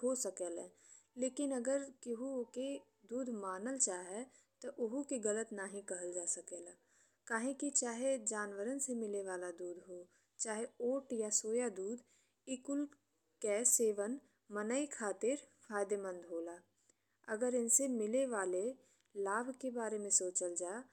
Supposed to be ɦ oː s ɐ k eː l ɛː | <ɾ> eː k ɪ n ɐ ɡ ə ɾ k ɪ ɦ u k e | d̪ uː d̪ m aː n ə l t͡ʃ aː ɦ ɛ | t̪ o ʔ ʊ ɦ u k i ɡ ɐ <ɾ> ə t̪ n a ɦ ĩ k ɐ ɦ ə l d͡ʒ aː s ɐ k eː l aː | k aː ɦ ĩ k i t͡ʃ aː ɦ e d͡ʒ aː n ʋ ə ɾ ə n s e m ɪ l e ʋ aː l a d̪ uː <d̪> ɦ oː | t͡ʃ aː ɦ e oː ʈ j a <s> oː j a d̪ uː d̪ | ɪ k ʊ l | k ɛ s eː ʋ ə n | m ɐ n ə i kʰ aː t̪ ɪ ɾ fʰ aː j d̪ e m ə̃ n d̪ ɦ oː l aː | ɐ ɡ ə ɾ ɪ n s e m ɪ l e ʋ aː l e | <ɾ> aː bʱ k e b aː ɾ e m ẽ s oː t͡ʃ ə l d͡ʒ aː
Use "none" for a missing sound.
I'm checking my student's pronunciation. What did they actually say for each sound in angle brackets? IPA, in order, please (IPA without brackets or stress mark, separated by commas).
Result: l, l, d̪, s, l